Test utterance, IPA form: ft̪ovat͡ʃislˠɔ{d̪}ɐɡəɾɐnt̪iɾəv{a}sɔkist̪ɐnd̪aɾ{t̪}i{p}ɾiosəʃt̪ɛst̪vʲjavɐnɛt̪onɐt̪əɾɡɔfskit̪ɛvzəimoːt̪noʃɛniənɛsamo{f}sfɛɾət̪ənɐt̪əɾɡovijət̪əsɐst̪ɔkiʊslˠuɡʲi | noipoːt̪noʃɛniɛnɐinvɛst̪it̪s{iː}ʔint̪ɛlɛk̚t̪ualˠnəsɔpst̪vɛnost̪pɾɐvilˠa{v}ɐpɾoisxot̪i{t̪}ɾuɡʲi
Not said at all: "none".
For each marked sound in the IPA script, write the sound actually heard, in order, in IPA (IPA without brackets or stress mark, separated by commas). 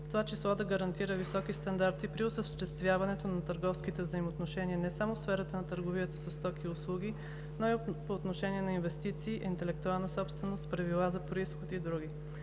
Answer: d̪, i, t̪, p, f, iː, z, d̪